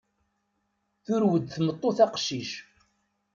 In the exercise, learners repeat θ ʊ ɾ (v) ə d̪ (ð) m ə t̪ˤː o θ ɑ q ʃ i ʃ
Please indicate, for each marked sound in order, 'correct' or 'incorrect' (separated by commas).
incorrect, incorrect